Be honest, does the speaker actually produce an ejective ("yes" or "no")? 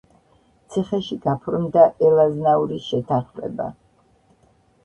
no